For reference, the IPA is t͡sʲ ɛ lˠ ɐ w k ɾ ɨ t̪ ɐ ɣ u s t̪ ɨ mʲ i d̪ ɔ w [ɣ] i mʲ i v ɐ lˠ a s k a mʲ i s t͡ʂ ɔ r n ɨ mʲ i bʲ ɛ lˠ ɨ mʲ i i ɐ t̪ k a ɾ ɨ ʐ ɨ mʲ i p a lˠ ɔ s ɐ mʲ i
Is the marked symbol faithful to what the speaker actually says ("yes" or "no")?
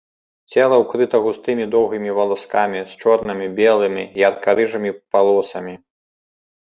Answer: yes